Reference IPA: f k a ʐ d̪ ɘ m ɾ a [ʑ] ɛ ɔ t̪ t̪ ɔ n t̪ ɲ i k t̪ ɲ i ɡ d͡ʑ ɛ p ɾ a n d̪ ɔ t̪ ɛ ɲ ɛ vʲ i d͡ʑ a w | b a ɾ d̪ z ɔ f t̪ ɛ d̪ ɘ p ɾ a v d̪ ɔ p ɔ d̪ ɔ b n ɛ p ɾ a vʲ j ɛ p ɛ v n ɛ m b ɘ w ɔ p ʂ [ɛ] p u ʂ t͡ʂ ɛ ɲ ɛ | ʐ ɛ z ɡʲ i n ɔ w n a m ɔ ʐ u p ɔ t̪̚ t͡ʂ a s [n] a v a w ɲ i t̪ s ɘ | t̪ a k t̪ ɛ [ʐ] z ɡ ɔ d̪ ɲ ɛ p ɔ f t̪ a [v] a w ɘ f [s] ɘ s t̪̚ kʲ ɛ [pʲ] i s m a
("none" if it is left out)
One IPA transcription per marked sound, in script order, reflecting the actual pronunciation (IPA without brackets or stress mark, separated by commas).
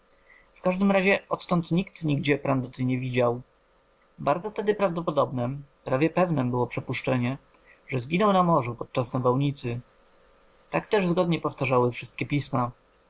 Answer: ʑ, ɛ, n, ʐ, ʐ, ʂ, pʲ